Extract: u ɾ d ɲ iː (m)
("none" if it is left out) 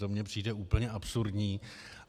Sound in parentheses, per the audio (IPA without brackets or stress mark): none